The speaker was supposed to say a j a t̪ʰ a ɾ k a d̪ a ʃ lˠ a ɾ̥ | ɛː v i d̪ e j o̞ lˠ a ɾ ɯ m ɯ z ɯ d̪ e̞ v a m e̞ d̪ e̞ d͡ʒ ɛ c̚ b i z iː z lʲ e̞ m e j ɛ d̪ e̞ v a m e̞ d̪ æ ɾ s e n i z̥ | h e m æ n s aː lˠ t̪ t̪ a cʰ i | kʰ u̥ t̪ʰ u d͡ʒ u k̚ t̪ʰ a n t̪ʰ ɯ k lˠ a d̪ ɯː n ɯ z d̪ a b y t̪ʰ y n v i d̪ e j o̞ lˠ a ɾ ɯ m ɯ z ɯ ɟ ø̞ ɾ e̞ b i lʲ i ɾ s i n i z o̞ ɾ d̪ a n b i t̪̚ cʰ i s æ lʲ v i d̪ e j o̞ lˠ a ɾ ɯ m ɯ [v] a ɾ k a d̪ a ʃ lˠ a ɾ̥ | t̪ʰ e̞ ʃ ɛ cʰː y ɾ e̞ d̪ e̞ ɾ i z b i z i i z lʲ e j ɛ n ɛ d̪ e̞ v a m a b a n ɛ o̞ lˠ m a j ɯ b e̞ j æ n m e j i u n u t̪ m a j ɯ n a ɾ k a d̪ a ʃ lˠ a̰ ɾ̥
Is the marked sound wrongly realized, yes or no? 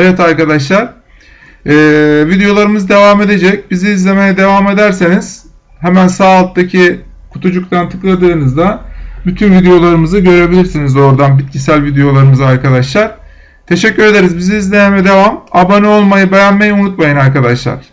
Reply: yes